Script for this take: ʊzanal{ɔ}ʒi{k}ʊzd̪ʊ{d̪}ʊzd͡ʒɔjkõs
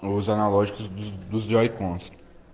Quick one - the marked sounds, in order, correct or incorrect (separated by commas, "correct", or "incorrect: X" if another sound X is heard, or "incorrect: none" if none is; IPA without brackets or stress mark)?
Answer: correct, correct, correct